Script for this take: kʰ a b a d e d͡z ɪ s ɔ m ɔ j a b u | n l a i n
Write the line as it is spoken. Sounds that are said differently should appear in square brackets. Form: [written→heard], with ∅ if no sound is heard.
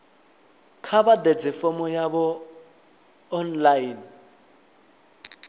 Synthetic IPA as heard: kʰ a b a d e d͡z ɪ [s→f] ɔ m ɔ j a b [u→ɔ] | n l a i n